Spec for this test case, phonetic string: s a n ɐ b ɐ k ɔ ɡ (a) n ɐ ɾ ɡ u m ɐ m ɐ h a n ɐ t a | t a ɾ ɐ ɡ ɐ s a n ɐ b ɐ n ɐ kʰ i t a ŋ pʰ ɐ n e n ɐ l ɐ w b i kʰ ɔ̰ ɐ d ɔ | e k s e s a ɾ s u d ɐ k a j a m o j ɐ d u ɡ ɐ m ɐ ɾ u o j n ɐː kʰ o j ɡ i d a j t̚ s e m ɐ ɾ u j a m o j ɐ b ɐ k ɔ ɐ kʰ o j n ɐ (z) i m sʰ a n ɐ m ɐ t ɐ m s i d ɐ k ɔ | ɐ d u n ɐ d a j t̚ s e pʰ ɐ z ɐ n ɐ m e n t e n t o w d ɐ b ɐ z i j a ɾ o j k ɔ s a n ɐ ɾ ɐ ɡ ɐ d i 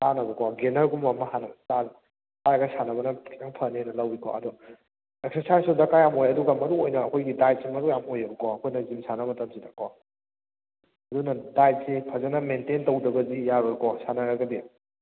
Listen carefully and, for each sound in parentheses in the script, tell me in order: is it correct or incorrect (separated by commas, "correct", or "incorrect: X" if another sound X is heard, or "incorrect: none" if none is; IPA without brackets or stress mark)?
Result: incorrect: e, correct